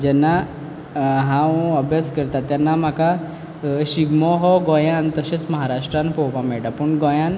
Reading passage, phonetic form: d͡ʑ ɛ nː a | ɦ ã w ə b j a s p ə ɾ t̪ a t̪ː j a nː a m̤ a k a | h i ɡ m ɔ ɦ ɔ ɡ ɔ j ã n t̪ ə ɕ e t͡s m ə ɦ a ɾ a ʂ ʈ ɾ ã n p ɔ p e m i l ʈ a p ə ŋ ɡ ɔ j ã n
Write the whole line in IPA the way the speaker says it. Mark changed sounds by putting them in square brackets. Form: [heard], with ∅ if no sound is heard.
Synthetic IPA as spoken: d͡ʑ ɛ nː a | ɦ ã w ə b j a s [k] ə ɾ t̪ a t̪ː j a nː a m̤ a k a | [ɕ] i ɡ m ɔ ɦ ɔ ɡ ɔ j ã n t̪ ə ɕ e t͡s m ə ɦ a ɾ a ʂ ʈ ɾ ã n p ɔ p [a] m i [ɭ] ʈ a p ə [ɳ] ɡ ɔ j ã n